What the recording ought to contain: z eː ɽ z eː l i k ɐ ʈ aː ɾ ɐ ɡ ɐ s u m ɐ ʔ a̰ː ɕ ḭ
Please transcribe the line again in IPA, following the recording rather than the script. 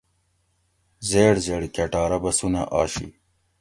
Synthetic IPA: z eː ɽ z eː ɽ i k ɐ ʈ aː ɾ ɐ b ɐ s u n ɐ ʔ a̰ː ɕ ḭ